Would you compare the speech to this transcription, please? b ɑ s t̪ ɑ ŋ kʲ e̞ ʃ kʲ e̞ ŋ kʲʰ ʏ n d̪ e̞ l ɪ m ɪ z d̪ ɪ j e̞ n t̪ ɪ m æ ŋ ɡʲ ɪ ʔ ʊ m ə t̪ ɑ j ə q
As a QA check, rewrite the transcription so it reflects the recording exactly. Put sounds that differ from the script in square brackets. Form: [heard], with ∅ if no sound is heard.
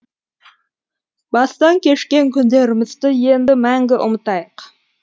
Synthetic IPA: b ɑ s t̪ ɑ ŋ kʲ e̞ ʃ kʲ e̞ ŋ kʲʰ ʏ n d̪ e̞ [ɾ] ɪ m ɪ z d̪ ɪ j e̞ n [d̪] ɪ m æ ŋ ɡʲ ɪ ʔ ʊ m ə t̪ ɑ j ə q